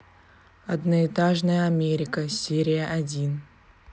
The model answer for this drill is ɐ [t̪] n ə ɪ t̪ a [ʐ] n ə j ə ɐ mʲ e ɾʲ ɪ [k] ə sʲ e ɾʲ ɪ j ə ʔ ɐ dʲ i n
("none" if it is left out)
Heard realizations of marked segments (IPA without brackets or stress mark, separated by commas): d̪, ʐ, k